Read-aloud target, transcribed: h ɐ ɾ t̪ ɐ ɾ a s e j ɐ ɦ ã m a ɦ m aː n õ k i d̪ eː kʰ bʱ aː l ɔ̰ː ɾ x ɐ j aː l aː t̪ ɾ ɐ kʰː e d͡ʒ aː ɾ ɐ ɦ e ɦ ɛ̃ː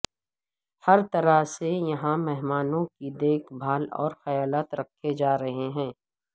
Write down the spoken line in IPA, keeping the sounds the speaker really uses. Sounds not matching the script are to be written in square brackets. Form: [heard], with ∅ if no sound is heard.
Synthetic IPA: h ɐ ɾ t̪ ɐ ɾ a s e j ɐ ɦ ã m [ɛ] ɦ m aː n õ k i d̪ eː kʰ bʱ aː l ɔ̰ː ɾ x ɐ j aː l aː t̪ ɾ ɐ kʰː e d͡ʒ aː ɾ ɐ ɦ e ɦ ɛ̃ː